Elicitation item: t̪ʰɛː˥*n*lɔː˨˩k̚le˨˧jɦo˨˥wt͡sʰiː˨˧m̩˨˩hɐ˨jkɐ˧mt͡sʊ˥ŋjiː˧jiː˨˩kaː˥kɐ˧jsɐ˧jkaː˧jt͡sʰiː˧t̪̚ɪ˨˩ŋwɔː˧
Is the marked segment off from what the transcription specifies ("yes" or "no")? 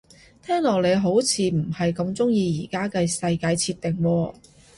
yes